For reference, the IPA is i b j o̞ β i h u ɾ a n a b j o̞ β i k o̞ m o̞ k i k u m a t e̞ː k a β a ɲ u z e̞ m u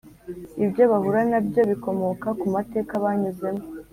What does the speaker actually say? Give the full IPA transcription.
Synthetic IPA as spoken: i b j o̞ β a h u ɾ a n a b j o̞ β i k o̞ m o̞ k a k u m a t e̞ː k a β a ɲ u z e̞ m o